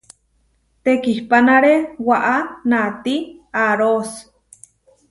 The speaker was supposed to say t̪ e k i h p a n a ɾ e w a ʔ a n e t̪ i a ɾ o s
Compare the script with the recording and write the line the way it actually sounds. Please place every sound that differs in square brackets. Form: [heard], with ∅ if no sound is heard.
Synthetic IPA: t̪ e k i h p a n a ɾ e w a ʔ a n [a] t̪ i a ɾ o s